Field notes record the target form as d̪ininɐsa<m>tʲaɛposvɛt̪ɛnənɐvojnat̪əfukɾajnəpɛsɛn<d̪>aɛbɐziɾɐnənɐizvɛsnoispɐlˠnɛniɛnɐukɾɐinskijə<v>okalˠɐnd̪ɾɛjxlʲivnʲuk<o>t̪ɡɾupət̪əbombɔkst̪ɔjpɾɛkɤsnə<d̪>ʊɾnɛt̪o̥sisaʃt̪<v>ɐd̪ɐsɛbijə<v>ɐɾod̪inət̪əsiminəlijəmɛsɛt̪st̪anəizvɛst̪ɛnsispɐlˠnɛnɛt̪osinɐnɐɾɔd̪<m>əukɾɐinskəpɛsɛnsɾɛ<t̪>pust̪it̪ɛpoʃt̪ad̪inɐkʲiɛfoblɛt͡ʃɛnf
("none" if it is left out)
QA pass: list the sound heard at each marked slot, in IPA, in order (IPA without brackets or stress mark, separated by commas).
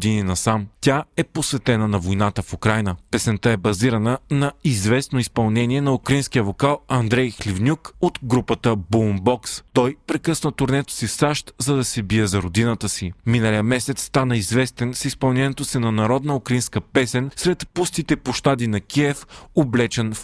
m, t̪, v, o, t̪, z, z, n, t̪